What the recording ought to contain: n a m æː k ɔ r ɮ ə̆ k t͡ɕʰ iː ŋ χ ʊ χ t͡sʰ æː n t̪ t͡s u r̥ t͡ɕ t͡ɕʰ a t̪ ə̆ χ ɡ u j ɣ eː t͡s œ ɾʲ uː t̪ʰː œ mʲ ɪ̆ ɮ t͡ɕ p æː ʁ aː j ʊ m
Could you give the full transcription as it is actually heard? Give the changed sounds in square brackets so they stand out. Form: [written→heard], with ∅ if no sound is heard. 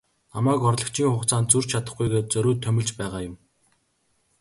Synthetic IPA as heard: n a m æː k ɔ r ɮ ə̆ k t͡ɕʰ iː ŋ χ ʊ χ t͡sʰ [æː→aː] n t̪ t͡s u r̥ t͡ɕ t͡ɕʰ a t̪ ə̆ χ ɡ u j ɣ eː t͡s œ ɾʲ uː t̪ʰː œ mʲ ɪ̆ ɮ t͡ɕ p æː ʁ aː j ʊ m